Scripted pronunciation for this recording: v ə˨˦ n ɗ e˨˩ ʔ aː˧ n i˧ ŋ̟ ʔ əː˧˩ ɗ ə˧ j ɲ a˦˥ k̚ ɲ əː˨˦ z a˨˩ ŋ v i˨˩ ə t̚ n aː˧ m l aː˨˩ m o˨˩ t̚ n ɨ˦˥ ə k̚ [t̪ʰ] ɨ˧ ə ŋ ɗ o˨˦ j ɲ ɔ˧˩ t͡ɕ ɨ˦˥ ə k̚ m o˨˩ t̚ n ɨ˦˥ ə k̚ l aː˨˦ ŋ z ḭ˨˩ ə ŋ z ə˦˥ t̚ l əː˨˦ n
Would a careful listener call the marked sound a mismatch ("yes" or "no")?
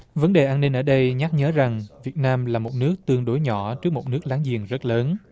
yes